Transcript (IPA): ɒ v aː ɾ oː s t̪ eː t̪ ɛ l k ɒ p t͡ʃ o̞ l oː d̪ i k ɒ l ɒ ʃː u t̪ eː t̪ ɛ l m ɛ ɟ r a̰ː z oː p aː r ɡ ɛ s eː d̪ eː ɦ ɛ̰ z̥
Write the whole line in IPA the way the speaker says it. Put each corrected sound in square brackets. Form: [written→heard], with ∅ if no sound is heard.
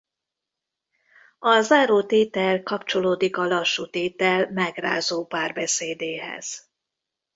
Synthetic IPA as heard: ɒ [v→z] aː ɾ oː [s→∅] t̪ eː t̪ ɛ l k ɒ p t͡ʃ o̞ l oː d̪ i k ɒ l ɒ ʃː u t̪ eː t̪ ɛ l m ɛ [ɟ→ɡ] r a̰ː z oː p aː r [ɡ→b] ɛ s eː d̪ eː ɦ ɛ̰ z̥